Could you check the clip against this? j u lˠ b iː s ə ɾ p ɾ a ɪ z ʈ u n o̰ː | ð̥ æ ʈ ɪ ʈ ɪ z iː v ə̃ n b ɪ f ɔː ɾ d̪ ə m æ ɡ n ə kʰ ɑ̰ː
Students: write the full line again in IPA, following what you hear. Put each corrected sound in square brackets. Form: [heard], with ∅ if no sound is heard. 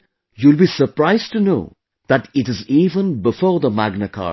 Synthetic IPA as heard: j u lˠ b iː s ə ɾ p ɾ a ɪ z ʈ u n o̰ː | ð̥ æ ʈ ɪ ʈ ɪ z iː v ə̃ n b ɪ f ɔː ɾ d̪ ə m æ ɡ n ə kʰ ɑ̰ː